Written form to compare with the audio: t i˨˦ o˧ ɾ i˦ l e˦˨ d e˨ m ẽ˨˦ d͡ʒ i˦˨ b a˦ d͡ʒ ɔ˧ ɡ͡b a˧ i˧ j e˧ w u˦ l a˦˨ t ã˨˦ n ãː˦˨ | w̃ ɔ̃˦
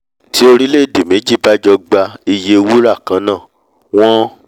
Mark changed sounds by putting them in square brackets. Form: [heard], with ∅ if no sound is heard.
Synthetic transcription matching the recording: t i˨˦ o˧ ɾ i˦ l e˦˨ d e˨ m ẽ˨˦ d͡ʒ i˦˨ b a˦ d͡ʒ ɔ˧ ɡ͡b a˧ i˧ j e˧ w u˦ [ɾ] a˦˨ [k] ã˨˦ n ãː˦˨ | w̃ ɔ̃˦